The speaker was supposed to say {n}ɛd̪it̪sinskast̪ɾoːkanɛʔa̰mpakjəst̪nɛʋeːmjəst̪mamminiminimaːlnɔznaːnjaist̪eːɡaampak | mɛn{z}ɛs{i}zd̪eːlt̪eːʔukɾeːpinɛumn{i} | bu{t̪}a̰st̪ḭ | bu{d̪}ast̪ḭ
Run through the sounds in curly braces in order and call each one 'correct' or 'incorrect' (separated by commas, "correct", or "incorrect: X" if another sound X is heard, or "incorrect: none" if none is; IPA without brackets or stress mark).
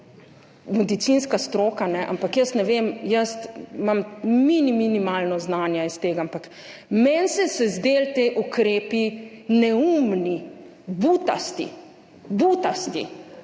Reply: incorrect: m, incorrect: s, incorrect: ɛ, correct, correct, incorrect: t̪